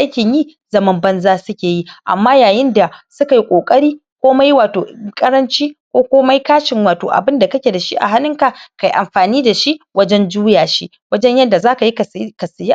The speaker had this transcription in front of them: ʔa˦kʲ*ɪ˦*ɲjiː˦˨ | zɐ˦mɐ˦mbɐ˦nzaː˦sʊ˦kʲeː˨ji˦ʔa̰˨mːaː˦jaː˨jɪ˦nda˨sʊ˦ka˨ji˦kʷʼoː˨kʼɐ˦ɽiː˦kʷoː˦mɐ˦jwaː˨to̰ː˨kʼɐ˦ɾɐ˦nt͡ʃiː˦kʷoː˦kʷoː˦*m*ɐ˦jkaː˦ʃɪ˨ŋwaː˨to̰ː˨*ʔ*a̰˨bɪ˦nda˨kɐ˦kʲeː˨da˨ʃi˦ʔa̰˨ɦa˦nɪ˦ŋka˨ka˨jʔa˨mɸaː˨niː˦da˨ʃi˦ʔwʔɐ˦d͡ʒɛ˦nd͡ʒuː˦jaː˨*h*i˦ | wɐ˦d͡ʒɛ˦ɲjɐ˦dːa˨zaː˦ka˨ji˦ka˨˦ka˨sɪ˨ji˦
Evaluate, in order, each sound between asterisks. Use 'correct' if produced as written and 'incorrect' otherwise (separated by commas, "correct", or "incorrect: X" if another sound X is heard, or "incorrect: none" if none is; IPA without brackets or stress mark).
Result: incorrect: ɪ˨, correct, correct, incorrect: ʃ